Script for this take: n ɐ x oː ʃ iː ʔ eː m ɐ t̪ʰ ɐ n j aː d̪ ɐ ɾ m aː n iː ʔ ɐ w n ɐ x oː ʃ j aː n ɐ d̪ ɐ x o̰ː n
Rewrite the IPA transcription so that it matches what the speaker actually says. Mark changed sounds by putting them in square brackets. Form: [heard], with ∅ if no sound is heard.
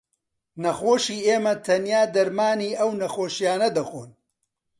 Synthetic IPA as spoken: n ɐ x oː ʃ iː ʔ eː m ɐ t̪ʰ ɐ n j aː d̪ ɐ ɾ m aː n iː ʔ ɐ w n ɐ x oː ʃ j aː n ɐ d̪ ɐ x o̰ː n